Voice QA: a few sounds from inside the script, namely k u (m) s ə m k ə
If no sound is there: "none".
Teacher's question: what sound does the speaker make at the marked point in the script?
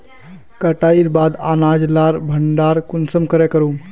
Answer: n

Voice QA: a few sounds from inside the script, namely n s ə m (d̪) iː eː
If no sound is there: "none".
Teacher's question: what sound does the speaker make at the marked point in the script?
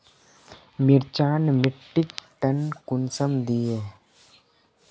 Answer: d̪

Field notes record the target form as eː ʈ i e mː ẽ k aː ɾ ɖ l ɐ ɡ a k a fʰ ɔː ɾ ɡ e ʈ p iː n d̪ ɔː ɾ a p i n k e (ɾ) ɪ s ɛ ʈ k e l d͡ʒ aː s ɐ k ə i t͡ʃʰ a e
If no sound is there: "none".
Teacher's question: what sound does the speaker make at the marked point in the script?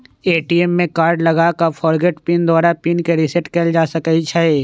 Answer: ɾ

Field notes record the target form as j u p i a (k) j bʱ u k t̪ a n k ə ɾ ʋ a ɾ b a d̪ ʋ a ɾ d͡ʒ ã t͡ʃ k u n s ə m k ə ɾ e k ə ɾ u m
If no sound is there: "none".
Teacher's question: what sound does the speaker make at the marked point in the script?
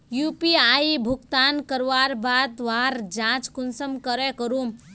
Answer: none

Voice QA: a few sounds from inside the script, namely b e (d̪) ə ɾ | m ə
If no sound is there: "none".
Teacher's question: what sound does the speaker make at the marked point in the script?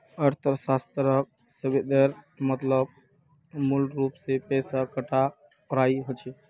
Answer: d̪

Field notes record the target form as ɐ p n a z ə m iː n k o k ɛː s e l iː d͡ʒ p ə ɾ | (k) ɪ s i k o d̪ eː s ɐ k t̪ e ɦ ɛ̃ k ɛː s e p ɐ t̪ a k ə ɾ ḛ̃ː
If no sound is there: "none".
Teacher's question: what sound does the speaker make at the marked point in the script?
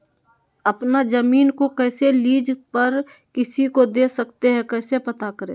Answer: k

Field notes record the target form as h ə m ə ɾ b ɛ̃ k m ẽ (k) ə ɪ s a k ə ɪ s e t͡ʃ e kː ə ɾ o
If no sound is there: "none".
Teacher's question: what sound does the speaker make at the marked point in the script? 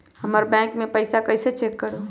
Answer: p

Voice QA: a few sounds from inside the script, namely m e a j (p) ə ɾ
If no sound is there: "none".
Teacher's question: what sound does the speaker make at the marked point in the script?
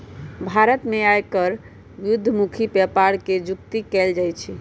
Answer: k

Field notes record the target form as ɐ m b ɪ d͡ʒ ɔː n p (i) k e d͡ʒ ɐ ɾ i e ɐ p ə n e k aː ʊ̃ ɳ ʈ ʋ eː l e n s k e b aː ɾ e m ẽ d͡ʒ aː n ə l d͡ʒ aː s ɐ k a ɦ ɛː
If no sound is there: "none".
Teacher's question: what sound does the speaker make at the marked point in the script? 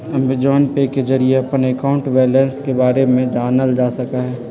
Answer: e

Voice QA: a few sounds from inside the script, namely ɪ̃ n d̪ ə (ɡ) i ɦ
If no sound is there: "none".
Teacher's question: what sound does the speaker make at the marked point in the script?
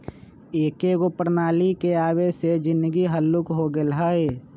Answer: ɡ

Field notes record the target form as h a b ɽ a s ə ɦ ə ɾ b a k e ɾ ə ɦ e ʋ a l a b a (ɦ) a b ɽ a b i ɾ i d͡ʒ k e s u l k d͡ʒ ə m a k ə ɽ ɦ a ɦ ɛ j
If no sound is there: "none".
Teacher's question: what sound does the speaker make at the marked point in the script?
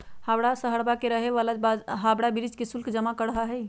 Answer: ɦ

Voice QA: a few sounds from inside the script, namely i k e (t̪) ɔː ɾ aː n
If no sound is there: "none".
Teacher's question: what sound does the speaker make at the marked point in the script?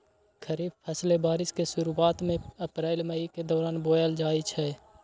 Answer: d̪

